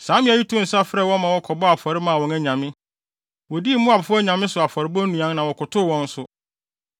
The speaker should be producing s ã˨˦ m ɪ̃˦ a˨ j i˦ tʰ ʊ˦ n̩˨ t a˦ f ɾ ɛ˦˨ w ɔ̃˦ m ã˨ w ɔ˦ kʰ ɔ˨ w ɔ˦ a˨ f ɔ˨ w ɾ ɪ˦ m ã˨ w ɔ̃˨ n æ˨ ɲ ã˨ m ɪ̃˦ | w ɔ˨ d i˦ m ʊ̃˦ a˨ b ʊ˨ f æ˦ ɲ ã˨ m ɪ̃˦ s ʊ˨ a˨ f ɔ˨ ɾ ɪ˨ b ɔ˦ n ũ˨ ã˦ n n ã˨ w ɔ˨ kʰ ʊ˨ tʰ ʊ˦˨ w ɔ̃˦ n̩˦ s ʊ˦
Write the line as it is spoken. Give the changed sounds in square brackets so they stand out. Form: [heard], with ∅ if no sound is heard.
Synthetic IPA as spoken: s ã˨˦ m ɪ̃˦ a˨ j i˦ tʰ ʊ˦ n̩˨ [s] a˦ f ɾ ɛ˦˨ w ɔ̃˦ m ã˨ w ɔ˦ kʰ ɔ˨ [b] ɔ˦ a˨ f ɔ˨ [∅] ɾ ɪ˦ m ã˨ w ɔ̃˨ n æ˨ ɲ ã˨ m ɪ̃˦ | w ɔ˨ d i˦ m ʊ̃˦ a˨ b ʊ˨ f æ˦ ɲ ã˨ m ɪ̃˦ s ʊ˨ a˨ f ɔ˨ ɾ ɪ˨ b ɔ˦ n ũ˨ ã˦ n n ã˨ w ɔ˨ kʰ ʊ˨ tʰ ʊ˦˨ w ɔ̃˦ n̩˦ s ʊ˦